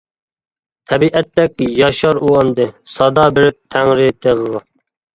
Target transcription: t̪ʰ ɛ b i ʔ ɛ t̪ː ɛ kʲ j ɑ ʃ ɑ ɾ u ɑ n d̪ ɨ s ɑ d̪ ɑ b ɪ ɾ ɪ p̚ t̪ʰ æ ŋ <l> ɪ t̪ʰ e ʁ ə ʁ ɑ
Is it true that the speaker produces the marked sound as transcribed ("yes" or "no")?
no